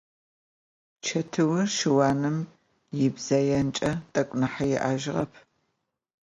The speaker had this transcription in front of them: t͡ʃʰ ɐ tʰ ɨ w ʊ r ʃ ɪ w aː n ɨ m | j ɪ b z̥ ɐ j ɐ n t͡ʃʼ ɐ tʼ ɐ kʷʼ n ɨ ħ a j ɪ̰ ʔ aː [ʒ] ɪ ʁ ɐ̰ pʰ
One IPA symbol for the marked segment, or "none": ʒ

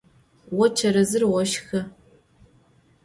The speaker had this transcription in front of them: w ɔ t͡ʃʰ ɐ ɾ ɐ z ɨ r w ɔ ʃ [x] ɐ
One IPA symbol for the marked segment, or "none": x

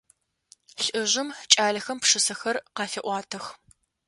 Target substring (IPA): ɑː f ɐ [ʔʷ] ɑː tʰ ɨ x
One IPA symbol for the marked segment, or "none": ʔʷ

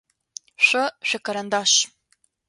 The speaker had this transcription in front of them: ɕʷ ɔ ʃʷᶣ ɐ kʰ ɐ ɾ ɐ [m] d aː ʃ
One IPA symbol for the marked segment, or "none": n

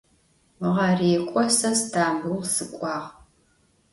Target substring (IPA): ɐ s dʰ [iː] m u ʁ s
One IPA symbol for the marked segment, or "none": aː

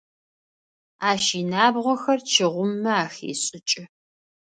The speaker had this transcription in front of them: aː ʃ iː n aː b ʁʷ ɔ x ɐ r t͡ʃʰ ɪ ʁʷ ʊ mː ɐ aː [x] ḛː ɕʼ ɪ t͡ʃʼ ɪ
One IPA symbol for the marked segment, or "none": x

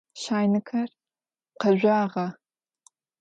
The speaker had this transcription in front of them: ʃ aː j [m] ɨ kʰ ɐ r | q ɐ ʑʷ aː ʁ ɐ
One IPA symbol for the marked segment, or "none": n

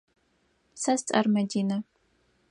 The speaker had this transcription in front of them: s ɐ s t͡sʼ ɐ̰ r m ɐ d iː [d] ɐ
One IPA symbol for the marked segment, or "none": n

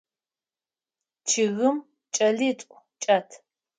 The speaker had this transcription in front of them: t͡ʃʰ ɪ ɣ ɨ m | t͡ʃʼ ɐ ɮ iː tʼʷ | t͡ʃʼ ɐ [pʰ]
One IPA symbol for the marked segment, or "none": tʰ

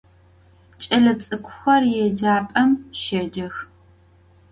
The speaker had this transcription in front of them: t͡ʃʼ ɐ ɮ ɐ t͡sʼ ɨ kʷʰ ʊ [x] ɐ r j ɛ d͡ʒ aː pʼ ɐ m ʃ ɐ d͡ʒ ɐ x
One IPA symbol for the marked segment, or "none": x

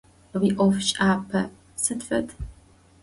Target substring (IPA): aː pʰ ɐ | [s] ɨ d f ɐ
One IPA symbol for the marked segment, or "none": s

